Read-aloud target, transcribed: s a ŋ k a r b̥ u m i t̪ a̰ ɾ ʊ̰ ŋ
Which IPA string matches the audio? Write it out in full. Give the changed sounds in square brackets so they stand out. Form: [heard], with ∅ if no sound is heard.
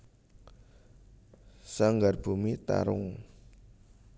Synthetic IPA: s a ŋ [ɡ] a r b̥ u m i t̪ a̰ ɾ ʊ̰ ŋ